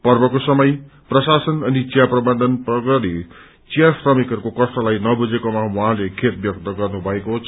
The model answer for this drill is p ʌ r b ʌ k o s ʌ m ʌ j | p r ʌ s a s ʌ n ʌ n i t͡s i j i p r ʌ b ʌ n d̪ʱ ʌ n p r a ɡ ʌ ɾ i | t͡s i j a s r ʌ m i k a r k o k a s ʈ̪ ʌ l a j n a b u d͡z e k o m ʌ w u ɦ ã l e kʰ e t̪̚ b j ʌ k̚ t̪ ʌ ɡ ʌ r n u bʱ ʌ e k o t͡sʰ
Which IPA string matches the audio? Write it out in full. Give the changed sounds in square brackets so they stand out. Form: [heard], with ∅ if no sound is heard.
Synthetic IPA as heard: p ʌ r b ʌ k o s ʌ m ʌ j | p r ʌ s a s ʌ n ʌ n i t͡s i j [a] p r ʌ b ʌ n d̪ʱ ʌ n p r [ʌ] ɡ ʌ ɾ i | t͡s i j a s r ʌ m i k [ʌ] r k o k [ʌ] s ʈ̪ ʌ l a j n [ʌ] b u d͡z e k o m [a] w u ɦ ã l e kʰ e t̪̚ b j ʌ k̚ t̪ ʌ ɡ ʌ r n u bʱ ʌ e k o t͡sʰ